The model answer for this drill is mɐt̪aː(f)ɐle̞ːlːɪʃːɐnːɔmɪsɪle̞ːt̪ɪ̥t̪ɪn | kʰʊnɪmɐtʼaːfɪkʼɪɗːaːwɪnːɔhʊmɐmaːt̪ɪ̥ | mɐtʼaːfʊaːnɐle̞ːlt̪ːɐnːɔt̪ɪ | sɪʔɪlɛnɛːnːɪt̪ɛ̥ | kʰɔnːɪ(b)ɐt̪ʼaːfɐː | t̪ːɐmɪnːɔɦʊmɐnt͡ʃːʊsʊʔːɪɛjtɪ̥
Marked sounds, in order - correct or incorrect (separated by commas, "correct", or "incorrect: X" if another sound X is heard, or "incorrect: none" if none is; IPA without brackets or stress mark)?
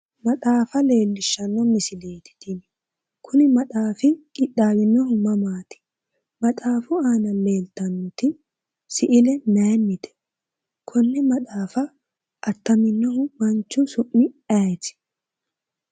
correct, incorrect: m